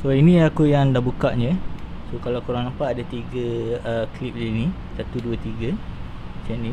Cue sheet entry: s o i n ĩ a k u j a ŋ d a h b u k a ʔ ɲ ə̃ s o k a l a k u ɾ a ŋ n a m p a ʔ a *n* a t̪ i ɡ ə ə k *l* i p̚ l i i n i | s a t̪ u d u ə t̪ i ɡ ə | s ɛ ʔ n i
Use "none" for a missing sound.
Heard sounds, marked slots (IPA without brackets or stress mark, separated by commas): d, l